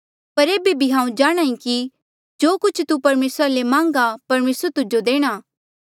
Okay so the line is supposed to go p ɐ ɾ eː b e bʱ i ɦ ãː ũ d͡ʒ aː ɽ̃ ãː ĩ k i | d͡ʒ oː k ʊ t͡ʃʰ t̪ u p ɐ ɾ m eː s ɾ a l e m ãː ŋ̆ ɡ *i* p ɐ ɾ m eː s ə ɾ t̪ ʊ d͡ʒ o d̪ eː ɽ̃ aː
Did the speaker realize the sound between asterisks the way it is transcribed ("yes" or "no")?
no